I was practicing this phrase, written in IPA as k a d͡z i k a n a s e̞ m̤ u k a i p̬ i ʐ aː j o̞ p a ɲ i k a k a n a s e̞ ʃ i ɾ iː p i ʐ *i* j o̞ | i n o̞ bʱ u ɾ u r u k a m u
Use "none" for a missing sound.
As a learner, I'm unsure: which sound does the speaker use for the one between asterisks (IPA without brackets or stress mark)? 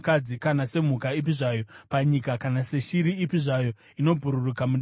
a